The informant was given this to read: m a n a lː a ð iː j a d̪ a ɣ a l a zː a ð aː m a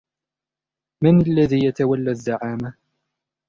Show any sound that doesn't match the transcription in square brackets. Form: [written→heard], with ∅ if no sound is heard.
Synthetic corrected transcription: m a n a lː a ð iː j a [d̪→t̪] a [ɣ→w] a [l→lː] a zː a [ð→ʕ] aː m a